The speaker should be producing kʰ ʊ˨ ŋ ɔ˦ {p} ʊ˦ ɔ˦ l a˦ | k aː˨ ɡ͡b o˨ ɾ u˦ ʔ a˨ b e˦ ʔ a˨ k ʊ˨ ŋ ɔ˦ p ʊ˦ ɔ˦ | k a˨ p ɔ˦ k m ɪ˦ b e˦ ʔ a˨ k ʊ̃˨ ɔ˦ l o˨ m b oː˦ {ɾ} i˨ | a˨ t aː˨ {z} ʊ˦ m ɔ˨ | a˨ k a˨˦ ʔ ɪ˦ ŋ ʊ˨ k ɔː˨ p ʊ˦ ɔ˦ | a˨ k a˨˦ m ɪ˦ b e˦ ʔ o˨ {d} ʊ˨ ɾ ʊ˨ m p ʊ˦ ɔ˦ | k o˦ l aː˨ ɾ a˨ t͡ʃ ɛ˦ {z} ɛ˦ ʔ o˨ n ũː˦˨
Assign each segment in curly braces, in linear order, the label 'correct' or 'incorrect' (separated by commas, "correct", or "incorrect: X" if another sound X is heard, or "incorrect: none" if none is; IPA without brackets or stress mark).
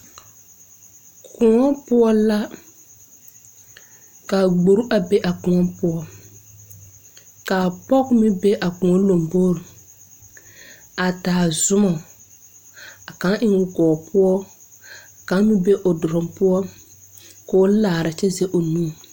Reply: correct, correct, correct, correct, correct